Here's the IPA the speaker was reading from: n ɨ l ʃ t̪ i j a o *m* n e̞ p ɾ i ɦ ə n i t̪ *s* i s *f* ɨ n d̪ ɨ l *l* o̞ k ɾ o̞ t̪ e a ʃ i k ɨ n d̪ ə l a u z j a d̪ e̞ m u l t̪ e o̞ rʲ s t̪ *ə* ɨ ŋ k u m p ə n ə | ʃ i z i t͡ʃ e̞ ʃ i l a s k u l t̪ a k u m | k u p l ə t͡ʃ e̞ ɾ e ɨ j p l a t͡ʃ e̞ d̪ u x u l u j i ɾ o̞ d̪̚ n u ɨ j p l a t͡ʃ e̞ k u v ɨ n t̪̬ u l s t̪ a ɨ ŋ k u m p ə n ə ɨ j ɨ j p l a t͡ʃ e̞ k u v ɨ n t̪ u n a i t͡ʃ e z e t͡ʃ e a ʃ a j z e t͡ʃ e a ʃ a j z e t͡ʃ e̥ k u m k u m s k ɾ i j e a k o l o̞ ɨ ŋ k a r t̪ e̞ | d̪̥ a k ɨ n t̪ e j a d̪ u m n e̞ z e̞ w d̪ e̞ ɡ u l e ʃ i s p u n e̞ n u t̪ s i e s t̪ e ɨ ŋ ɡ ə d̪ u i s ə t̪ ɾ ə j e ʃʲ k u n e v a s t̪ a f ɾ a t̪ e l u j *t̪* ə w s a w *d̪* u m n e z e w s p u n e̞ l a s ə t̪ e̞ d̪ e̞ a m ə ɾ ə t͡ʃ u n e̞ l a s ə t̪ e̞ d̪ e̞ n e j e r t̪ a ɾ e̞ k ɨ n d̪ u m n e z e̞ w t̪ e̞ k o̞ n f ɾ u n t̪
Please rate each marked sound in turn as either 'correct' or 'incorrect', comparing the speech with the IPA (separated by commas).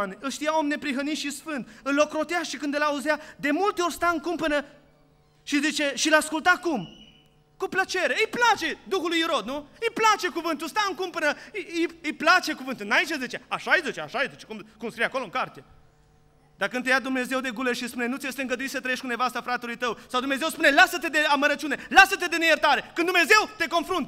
correct, incorrect, correct, correct, incorrect, correct, correct